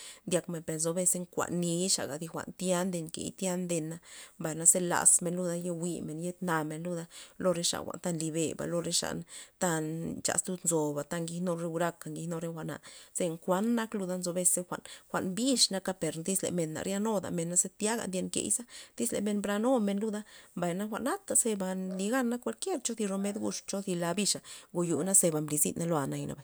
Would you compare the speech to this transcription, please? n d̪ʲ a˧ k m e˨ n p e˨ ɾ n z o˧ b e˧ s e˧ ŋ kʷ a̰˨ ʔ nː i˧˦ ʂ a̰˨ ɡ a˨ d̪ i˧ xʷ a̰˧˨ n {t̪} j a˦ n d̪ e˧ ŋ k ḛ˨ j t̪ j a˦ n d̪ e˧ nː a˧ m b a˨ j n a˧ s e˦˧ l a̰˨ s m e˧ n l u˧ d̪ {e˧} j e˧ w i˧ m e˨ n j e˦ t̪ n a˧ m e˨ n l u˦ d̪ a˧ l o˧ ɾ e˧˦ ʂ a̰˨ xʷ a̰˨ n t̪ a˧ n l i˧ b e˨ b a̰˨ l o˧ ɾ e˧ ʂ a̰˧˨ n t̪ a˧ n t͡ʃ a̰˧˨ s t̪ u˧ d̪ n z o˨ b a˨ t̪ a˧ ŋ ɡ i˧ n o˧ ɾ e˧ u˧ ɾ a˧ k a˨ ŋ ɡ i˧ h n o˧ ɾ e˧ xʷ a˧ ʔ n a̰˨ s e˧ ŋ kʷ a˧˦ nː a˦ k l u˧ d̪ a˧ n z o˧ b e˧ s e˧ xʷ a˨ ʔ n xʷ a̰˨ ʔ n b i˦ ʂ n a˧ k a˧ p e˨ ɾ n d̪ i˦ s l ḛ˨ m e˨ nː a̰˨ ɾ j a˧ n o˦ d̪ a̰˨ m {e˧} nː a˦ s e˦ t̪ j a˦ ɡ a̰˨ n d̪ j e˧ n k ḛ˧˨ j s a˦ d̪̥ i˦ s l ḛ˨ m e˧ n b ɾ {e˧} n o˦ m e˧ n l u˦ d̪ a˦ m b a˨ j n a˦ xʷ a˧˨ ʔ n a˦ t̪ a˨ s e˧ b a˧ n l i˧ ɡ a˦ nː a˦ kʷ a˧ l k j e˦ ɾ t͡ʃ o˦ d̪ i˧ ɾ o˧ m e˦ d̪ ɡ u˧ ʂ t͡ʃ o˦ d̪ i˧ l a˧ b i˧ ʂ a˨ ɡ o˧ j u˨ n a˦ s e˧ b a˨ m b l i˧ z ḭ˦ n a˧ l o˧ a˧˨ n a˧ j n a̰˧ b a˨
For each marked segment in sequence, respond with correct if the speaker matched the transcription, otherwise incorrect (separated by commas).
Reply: correct, incorrect, correct, incorrect